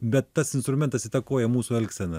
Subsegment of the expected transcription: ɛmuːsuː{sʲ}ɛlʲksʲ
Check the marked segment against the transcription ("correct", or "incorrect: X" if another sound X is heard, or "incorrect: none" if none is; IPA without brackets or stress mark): incorrect: none